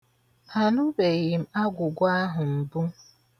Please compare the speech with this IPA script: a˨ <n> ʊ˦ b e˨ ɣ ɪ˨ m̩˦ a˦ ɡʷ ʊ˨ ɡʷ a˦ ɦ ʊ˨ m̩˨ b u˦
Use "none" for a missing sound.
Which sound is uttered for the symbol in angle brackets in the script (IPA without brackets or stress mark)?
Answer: n